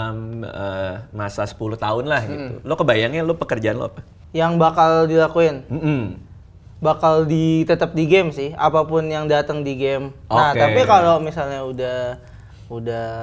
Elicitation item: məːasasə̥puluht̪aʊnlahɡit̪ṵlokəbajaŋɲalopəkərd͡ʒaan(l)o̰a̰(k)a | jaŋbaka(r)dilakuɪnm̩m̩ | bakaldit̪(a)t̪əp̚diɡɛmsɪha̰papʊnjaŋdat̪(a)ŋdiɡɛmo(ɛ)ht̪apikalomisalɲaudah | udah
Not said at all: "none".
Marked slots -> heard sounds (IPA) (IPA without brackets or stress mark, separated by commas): l, p, l, ə, ə, a